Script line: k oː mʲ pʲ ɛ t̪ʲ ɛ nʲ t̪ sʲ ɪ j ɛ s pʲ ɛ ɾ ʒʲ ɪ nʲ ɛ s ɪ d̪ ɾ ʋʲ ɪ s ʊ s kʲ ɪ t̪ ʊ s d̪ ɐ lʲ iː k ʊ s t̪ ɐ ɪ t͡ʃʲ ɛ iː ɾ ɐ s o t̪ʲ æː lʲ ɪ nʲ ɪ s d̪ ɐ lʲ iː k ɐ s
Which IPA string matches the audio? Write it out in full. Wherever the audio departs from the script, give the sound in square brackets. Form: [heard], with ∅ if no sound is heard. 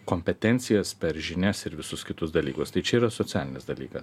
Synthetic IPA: k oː mʲ pʲ ɛ t̪ʲ ɛ nʲ t̪ sʲ ɪ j ɛ s pʲ ɛ ɾ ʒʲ ɪ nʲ ɛ s ɪ [∅] ɾ ʋʲ ɪ s ʊ s kʲ ɪ t̪ ʊ s d̪ ɐ lʲ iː k ʊ s t̪ ɐ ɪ t͡ʃʲ ɛ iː ɾ ɐ s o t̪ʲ æː lʲ ɪ nʲ ɪ s d̪ ɐ lʲ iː k ɐ s